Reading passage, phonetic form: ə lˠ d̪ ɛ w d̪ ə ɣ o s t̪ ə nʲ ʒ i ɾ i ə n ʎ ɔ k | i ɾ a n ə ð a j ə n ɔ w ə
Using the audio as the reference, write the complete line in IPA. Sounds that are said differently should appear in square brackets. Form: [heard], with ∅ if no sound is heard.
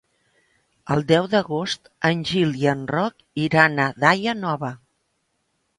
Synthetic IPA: ə lˠ d̪ ɛ w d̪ ə ɣ o s t̪ ə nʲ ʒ i [l] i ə n [r] ɔ k | i ɾ a n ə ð a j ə n ɔ [β] ə

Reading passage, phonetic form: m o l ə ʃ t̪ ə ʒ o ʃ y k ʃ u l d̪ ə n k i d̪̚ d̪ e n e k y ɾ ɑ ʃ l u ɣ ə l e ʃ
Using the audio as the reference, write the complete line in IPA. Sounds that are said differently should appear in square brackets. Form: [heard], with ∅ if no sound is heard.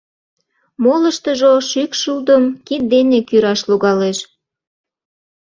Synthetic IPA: m o l ə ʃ t̪ ə ʒ o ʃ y k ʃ u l d̪ ə [m] k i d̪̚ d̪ e n e k y ɾ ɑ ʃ l u ɣ [ɑ] l e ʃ

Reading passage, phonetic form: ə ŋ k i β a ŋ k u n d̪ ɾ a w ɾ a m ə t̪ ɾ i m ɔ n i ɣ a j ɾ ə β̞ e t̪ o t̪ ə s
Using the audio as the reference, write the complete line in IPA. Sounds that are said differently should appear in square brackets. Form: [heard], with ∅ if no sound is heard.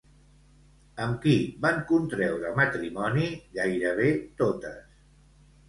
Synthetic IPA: ə [m] k i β a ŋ k u n [t̪] ɾ [ɛ] w ɾ [ə] m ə t̪ ɾ i m ɔ n i ɣ a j ɾ ə β̞ e t̪ o t̪ ə s

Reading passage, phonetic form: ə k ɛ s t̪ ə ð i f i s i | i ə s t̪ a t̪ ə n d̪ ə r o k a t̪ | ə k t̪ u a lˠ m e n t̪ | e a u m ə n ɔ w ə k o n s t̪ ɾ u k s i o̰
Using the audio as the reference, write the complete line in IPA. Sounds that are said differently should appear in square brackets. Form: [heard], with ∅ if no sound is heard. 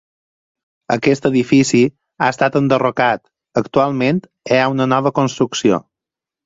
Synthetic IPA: ə k ɛ s t̪ ə ð i f i s i | [a] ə s t̪ a t̪ ə n d̪ ə r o k a t̪ | ə k t̪ u a lˠ m e n t̪ | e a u [n] ə n ɔ [β] ə k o n s t̪ ɾ u k s i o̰

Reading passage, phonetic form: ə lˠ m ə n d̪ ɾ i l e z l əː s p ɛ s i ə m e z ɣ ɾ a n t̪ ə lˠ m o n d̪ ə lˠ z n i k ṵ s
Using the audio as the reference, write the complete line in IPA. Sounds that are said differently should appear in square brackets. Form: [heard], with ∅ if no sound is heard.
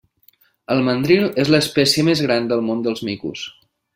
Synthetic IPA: ə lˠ m ə n d̪ ɾ i l e z l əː s p ɛ s i ə m e z ɣ ɾ a n [d̪] ə lˠ m o n d̪ ə lˠ z [m] i k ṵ s

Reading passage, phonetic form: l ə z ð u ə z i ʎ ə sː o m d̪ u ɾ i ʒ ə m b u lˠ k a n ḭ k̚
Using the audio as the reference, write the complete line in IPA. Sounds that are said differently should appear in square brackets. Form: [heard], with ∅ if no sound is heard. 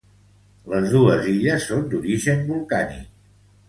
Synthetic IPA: l ə z ð u ə z i ʎ ə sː o [n] d̪ u ɾ i ʒ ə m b u lˠ k a n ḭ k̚

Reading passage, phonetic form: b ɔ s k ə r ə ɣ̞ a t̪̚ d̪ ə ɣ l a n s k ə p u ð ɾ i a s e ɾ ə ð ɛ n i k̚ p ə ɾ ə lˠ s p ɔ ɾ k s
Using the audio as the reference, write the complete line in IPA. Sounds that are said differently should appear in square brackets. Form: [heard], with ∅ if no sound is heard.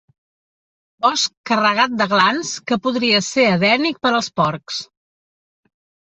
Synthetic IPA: b ɔ s k ə r ə ɣ̞ a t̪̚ d̪ ə ɣ l a n s k ə p u ð ɾ i [ə] s e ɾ ə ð ɛ n i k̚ p ə ɾ ə lˠ s p ɔ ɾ k s

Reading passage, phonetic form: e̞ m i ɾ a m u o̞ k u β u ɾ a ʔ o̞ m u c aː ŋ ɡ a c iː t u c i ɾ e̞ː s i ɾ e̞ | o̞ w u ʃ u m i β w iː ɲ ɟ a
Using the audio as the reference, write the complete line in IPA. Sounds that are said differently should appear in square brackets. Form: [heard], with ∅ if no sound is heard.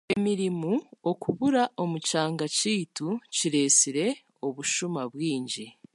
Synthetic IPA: e̞ m i ɾ [i] m u o̞ k u β u ɾ a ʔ o̞ m u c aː ŋ ɡ a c iː t u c i ɾ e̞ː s i ɾ e̞ | o̞ [β] u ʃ u m [a] β w iː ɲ ɟ [i]

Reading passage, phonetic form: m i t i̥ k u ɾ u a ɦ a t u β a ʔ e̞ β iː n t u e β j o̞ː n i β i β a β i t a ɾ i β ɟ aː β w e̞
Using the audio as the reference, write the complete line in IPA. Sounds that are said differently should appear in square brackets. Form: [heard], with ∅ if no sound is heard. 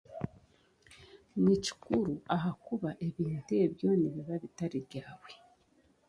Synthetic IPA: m i [c] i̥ k u ɾ u a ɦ a [k] u β a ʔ e̞ β iː n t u e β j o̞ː n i β i β a β i t a ɾ i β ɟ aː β w e̞

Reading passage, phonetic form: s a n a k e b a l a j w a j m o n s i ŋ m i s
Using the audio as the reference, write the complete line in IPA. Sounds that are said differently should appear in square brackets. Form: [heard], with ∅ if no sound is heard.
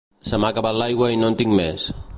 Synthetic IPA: s a [m] a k [a] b a l a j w a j [n] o n [t] i ŋ m [e] s

